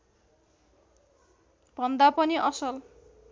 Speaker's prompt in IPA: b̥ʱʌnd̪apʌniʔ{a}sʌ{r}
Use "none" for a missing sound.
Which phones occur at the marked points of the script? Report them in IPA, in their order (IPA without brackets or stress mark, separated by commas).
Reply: ʌ, l